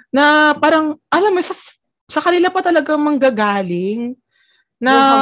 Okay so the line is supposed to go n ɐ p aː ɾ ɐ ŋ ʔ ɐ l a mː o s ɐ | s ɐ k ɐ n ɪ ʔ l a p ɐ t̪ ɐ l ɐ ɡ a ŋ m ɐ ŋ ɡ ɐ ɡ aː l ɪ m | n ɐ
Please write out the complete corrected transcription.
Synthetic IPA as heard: n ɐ p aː ɾ ɐ ŋ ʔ ɐ l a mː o s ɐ | s ɐ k ɐ n ɪ l a p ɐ t̪ ɐ l ɐ ɡ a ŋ m ɐ ŋ ɡ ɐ ɡ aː l ɪ ŋ | n ɐ